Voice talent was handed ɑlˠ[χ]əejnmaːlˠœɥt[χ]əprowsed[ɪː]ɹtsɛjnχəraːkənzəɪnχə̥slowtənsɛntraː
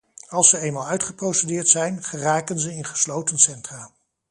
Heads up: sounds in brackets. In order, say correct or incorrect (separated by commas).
incorrect, correct, correct